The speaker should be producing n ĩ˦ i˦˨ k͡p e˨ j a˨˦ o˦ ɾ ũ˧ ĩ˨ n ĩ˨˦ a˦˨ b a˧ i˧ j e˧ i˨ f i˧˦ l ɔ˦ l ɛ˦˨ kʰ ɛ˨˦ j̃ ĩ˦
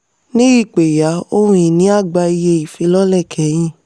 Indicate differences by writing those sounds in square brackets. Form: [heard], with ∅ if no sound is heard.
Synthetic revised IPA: n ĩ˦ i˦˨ k͡p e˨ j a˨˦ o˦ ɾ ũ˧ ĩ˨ n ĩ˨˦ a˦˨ [ɡ͡b] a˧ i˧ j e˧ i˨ f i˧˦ l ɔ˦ l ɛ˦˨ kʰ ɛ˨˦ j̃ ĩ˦